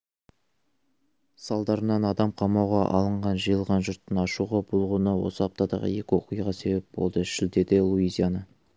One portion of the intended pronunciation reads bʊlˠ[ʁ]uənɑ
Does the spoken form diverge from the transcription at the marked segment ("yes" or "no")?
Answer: no